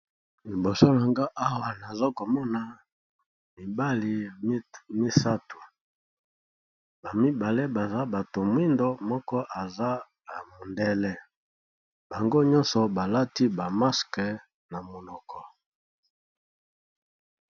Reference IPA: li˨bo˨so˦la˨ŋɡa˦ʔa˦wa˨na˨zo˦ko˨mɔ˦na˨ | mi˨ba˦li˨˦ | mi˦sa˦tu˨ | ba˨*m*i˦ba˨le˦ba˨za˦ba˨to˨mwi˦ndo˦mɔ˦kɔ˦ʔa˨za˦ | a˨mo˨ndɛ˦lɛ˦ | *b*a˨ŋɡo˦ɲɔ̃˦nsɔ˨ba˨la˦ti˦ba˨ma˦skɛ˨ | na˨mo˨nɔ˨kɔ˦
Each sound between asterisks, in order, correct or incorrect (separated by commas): correct, correct